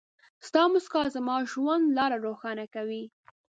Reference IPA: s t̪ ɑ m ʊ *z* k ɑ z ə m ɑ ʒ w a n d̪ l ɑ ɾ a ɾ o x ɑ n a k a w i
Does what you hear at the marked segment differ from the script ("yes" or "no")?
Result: yes